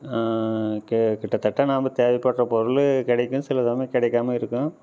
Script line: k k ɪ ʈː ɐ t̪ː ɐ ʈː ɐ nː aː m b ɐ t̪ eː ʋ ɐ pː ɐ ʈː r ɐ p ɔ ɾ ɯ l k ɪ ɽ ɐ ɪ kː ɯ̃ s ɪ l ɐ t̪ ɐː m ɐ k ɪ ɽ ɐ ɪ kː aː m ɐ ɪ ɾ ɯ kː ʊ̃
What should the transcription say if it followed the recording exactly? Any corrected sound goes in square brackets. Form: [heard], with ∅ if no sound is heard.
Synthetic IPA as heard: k k ɪ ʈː ɐ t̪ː ɐ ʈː ɐ [n] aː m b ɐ t̪ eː ʋ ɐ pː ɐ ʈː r ɐ p ɔ ɾ ɯ l k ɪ ɽ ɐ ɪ kː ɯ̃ s ɪ l ɐ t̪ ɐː m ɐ k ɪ ɽ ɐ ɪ kː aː m ɐ ɪ ɾ ɯ kː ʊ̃